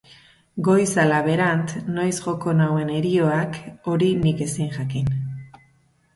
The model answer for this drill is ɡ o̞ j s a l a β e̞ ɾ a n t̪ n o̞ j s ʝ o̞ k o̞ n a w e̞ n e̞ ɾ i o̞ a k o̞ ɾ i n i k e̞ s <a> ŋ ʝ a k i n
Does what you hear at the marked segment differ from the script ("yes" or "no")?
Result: yes